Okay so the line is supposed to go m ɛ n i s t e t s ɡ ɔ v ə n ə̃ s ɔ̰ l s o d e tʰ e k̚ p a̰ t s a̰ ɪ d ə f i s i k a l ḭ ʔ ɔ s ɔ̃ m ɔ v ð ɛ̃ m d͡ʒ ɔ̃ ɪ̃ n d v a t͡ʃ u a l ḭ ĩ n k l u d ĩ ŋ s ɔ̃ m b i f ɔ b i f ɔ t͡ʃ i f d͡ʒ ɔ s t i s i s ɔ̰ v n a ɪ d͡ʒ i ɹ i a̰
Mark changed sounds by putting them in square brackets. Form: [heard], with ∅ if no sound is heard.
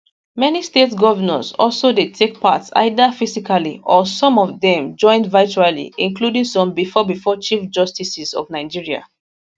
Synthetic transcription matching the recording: m ɛ n i s t e t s ɡ ɔ v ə n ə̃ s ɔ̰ l s o d e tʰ e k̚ p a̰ t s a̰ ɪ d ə f i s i k a l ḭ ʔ ɔ s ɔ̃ m ɔ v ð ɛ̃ m d͡ʒ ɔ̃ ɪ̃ n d v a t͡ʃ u a l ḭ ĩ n k l u d ĩ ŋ s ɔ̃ m b i f ɔ b i f ɔ t͡ʃ i f d͡ʒ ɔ s t i s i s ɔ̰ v n a ɪ d͡ʒ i ɹ i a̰